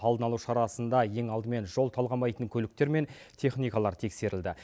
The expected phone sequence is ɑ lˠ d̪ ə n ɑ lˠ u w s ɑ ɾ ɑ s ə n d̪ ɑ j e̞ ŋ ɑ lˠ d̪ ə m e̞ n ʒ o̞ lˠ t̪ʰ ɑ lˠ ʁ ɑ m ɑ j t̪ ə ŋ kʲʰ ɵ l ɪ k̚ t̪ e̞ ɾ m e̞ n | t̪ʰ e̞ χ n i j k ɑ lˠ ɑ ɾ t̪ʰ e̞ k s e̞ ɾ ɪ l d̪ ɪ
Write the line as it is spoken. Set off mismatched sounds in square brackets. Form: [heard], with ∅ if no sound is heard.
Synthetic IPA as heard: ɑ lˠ d̪ ə n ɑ lˠ u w [ʃ] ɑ ɾ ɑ s ə n d̪ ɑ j e̞ ŋ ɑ lˠ d̪ ə m e̞ n ʒ o̞ lˠ t̪ʰ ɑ lˠ ʁ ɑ m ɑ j t̪ ə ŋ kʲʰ ɵ l ɪ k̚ t̪ e̞ ɾ m e̞ n | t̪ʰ e̞ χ n i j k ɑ lˠ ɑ ɾ t̪ʰ e̞ k s e̞ ɾ ɪ l d̪ ɪ